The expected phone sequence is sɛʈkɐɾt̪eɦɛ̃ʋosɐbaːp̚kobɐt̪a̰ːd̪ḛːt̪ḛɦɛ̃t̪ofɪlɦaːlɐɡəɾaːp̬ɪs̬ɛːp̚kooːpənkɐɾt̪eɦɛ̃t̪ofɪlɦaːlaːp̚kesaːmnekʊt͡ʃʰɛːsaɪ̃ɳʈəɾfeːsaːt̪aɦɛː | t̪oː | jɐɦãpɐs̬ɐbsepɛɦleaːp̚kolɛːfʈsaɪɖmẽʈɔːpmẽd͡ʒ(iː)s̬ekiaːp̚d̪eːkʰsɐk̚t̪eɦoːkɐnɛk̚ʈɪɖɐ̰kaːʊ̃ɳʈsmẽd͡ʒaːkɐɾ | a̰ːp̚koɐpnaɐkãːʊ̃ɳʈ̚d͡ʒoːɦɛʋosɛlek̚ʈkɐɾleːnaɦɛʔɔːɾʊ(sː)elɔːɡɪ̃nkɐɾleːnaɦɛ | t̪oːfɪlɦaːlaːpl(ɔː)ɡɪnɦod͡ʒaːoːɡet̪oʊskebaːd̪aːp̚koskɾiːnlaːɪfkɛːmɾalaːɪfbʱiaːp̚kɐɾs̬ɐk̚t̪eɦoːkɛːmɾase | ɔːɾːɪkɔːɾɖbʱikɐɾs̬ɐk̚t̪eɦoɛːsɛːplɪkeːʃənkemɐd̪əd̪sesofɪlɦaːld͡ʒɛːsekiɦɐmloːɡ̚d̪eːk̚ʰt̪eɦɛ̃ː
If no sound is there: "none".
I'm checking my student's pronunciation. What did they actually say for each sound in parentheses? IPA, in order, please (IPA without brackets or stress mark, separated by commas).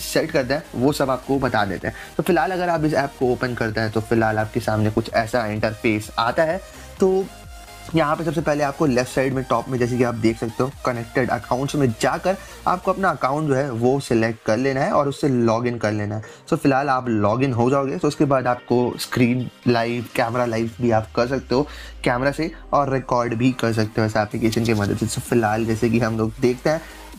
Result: ɛː, sː, ɔː